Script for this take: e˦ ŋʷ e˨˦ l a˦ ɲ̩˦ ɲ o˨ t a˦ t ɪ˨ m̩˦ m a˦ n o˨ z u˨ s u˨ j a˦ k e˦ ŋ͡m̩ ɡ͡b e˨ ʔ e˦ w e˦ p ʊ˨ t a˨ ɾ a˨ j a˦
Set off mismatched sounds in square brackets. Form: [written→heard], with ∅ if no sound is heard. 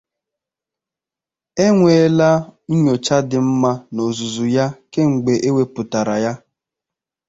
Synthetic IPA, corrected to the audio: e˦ ŋʷ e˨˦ l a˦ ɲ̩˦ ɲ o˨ [t→t͡ʃ] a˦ [t→d] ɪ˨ m̩˦ m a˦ n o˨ z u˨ [s→z] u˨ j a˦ k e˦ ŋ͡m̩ ɡ͡b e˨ ʔ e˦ w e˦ p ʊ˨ t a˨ ɾ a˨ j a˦